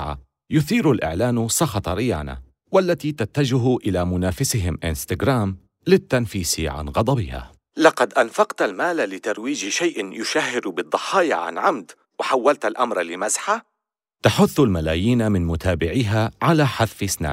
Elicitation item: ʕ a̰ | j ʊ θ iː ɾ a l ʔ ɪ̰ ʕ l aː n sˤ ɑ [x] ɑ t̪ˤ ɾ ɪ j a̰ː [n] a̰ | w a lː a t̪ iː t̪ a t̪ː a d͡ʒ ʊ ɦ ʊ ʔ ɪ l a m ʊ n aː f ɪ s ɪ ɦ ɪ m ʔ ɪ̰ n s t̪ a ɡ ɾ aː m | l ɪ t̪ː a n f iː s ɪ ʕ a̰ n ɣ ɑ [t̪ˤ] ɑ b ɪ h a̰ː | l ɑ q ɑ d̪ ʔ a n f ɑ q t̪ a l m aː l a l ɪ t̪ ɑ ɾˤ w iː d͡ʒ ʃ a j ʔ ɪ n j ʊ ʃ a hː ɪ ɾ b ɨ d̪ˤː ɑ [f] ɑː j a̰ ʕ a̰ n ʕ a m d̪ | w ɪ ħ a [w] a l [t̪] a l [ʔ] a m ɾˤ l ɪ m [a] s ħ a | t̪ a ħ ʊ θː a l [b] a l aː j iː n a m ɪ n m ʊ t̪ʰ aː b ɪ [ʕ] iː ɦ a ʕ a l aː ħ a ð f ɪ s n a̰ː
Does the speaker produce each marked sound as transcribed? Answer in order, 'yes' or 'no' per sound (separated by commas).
yes, yes, no, no, no, yes, yes, yes, no, yes